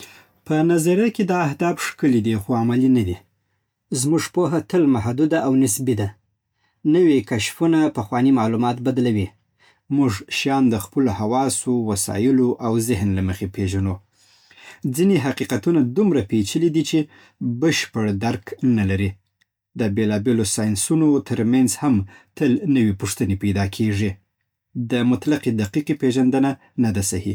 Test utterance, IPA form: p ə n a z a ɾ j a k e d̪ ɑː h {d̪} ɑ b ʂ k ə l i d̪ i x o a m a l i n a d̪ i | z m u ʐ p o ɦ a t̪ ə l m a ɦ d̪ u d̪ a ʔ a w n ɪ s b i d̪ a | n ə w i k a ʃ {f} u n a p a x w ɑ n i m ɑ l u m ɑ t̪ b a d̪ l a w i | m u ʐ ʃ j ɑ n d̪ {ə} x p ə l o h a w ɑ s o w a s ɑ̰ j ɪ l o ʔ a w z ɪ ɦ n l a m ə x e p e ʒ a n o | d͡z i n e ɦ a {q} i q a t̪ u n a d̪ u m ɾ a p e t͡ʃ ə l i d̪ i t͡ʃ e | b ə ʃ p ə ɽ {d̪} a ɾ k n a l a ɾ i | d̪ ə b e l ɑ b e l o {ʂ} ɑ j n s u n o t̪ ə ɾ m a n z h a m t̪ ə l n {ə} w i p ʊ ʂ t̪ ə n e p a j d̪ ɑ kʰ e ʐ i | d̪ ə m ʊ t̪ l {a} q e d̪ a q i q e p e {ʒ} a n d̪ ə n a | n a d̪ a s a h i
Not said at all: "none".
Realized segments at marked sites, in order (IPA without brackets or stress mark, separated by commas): d̪, f, ə, q, d̪, s, ə, a, ʒ